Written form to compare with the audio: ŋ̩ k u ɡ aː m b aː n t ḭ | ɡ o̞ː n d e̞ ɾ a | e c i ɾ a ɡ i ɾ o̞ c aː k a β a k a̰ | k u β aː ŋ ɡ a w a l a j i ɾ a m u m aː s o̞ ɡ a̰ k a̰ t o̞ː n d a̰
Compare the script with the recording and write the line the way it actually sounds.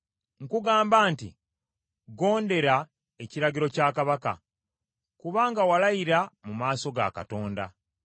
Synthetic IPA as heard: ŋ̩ k u ɡ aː m b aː n t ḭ | ɡ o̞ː n d e̞ ɾ a | e c i ɾ a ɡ i ɾ o̞ c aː k a β a k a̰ | k u β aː ŋ ɡ a w a l a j i ɾ a m u m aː s o̞ ɡ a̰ k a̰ t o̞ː n d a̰